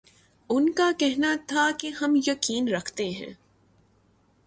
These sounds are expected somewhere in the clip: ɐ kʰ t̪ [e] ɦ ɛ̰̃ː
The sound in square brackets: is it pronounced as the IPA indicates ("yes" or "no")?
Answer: yes